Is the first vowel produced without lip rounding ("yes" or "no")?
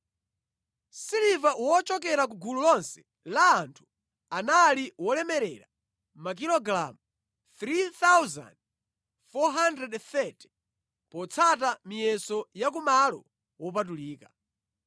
yes